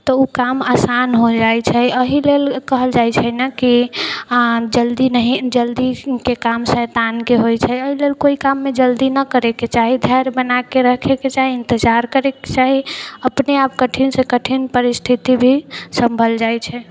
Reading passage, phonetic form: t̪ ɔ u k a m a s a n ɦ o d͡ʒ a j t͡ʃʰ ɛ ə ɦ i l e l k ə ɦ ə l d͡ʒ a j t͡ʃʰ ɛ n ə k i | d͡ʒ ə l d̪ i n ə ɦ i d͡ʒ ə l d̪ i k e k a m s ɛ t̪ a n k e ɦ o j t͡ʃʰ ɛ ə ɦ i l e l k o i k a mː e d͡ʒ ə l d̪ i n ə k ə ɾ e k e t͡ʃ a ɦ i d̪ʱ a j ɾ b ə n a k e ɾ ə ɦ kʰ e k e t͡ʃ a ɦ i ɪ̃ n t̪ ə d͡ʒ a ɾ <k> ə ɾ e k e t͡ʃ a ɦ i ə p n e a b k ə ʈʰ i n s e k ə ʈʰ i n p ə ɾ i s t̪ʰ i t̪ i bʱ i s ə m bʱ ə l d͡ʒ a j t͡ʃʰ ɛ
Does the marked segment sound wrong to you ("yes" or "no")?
no